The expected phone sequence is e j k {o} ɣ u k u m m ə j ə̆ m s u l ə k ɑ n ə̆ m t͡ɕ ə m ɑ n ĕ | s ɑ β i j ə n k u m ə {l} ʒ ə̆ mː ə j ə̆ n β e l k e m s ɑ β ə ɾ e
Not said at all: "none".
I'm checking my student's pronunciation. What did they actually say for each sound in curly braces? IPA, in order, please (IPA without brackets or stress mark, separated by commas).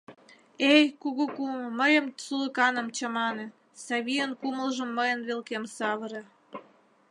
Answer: u, l